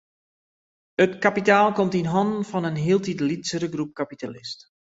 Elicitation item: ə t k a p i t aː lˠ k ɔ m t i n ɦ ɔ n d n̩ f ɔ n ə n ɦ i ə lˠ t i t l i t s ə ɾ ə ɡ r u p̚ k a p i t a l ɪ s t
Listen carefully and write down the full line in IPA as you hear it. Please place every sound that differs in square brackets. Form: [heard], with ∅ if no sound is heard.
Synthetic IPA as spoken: ə t k a p i t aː lˠ k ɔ m t i n ɦ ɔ n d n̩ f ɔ n ə n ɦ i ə lˠ t i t l i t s ə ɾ ə ɡ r u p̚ k a p i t a l ɪ s t